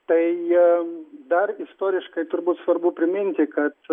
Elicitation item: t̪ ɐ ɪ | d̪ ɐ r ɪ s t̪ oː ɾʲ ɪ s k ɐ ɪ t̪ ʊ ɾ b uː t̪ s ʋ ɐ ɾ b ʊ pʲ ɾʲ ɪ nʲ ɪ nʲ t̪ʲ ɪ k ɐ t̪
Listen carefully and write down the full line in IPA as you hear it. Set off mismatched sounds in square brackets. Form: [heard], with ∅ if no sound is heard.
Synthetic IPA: t̪ ɐ ɪ | d̪ ɐ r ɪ s t̪ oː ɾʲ ɪ [ʃ] k ɐ ɪ t̪ ʊ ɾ b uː t̪ s ʋ ɐ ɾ b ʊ pʲ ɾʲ ɪ [mʲ] ɪ nʲ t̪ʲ ɪ k ɐ t̪